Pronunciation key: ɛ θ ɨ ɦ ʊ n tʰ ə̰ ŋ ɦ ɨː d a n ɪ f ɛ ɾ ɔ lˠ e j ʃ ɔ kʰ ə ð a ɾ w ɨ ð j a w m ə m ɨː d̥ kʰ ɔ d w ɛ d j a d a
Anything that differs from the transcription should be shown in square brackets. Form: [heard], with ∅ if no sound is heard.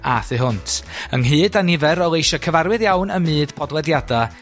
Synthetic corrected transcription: [a] θ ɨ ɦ ʊ n tʰ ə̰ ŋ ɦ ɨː d a n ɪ [v] ɛ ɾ ɔ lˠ e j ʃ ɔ kʰ ə [v] a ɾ w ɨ ð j a w [n] ə m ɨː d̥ [pʰ] ɔ d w ɛ d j a d a

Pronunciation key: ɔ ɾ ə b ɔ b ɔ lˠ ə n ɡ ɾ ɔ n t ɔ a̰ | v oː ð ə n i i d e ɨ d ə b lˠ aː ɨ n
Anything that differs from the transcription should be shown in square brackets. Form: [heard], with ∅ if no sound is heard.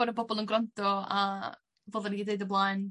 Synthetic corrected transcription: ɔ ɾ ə b ɔ b ɔ lˠ ə n ɡ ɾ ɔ n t ɔ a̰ | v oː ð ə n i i d e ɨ d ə b lˠ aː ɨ n

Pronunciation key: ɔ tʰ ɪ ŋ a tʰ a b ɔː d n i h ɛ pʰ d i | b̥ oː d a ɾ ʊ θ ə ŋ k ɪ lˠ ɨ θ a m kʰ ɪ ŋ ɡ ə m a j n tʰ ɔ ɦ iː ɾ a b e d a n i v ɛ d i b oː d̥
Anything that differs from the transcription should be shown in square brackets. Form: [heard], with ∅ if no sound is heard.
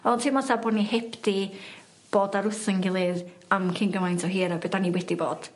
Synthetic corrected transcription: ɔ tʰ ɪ [m] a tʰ a b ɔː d n i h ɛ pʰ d i | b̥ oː d a ɾ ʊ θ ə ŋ [ɡ] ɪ lˠ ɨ [ð] a m kʰ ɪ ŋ ɡ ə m a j n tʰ ɔ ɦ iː ɾ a b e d a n i [w] ɛ d i b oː d̥

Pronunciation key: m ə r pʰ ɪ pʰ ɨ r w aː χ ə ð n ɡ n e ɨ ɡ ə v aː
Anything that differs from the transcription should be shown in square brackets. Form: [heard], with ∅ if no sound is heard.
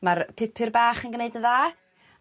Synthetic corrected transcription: m [a] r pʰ ɪ pʰ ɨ r [b] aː χ ə [∅] n ɡ n e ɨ [d] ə [ð] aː

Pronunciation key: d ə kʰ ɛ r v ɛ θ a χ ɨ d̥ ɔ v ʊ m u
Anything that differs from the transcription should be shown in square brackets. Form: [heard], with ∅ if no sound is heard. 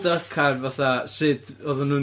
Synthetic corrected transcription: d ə kʰ [a] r v [a] θ a [s] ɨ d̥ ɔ [ð] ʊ [n] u

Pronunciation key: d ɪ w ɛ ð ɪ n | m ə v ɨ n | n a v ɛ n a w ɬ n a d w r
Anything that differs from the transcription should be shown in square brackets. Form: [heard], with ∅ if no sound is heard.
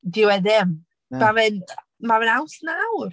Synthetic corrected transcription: d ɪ w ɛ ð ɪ [m] | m [a] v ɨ n | [m] a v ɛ n a w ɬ n a [∅] w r

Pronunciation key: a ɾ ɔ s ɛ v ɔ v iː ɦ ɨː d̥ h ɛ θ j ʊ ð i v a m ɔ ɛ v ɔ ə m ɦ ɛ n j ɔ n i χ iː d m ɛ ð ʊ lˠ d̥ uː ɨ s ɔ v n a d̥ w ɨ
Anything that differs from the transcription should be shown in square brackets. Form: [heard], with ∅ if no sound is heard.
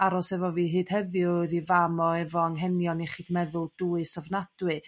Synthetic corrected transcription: a ɾ ɔ s ɛ v ɔ v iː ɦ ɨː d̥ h ɛ [ð] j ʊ ð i v a m ɔ ɛ v ɔ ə [ŋ] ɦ ɛ n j ɔ n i χ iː d m ɛ ð ʊ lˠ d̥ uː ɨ s ɔ v n a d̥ w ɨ

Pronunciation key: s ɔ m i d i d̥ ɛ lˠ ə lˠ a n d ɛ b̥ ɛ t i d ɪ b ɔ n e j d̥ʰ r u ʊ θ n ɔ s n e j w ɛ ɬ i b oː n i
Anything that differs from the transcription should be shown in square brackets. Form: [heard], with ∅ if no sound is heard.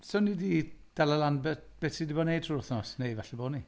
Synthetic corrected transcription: s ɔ [n] i d i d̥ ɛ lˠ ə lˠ a n [b] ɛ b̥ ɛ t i d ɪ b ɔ n e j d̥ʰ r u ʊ θ n ɔ s n e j [v] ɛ ɬ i b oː n i

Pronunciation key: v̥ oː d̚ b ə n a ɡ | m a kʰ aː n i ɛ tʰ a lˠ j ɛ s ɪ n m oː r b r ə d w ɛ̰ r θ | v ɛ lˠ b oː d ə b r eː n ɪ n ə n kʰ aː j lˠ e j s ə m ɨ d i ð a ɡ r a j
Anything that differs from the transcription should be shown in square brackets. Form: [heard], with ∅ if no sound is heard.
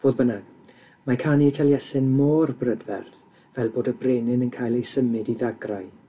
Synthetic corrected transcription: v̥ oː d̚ b ə n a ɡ | m a kʰ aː n i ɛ tʰ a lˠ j ɛ s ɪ n m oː r b r ə d [v] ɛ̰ r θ | v ɛ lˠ b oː d ə b r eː n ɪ n ə n kʰ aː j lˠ e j s ə m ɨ d i ð a ɡ r a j

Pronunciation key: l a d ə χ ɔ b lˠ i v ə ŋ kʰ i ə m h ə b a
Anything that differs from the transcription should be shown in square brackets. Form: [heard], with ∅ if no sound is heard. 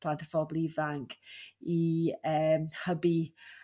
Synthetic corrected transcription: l a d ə [f] ɔ b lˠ i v [a] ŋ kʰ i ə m h ə b [i]

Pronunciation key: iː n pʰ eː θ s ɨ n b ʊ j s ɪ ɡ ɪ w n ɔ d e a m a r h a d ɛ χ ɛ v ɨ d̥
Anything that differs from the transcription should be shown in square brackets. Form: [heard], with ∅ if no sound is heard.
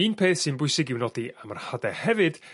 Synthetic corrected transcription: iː n pʰ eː θ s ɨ n b ʊ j s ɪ ɡ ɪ w n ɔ d [i] a m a r h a d ɛ [h] ɛ v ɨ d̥

